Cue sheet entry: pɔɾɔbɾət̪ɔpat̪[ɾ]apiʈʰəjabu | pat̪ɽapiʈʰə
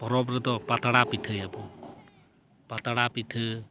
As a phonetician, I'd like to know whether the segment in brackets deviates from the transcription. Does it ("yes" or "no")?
yes